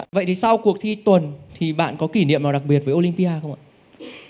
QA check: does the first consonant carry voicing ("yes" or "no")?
yes